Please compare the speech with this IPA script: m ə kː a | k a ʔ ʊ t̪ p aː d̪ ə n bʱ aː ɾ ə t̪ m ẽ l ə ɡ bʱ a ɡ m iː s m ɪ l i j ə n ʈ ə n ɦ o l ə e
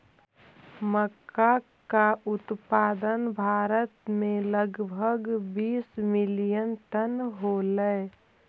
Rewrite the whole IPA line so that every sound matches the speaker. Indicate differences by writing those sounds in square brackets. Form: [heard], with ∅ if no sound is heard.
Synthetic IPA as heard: m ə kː a | k a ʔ ʊ t̪ p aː d̪ ə n bʱ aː ɾ ə t̪ m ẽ l ə ɡ bʱ [ə] ɡ [b] iː s m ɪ l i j ə n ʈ ə n ɦ o l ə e